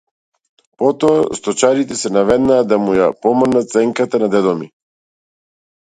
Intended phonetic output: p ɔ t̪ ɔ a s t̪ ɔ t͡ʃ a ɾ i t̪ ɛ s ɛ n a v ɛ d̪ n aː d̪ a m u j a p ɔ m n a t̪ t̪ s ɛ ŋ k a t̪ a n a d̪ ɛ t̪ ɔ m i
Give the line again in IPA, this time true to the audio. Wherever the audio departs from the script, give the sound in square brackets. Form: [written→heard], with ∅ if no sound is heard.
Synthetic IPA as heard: p ɔ t̪ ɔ a s t̪ ɔ t͡ʃ a ɾ i t̪ ɛ s ɛ n a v ɛ d̪ n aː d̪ a m u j a p ɔ m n a t̪ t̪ s ɛ ŋ k a t̪ a n a d̪ ɛ [t̪→d̪] ɔ m i